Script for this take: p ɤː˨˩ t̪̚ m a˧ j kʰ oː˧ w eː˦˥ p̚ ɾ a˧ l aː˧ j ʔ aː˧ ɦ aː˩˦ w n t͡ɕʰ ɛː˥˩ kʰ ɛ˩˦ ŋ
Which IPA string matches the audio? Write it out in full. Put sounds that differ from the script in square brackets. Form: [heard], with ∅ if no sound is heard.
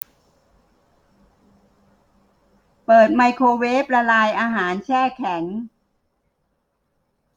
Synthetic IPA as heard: p ɤː˨˩ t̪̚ m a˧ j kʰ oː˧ w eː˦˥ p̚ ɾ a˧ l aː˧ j ʔ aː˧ ɦ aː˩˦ [∅] n t͡ɕʰ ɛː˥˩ kʰ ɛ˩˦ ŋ